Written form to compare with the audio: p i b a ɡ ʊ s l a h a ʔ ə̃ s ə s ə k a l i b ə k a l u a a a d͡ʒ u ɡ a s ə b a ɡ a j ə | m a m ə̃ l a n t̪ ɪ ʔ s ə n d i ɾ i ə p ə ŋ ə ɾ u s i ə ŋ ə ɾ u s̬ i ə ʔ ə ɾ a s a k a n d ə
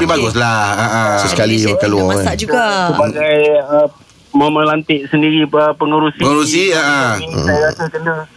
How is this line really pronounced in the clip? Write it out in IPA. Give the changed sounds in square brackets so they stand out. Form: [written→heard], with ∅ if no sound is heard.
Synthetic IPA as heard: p i b a ɡ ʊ s l a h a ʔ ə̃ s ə s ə k a l i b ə k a l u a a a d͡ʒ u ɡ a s ə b a ɡ a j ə | m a m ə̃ l a n t̪ ɪ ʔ s ə n d i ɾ i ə p ə ŋ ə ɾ u s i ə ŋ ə ɾ u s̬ i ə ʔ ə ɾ a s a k [a→ə] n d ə